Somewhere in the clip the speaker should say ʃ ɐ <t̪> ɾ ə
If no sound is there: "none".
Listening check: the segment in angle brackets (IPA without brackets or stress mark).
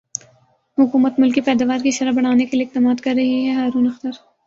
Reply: none